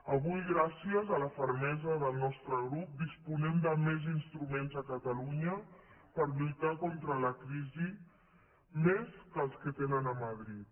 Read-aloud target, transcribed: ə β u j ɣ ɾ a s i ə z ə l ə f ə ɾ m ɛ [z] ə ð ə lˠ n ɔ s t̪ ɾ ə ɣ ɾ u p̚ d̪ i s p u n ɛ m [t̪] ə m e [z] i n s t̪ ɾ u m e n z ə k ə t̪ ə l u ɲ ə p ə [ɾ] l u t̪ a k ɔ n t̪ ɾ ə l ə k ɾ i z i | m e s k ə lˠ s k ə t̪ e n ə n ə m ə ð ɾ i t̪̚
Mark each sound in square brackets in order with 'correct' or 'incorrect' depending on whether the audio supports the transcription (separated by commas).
correct, incorrect, correct, correct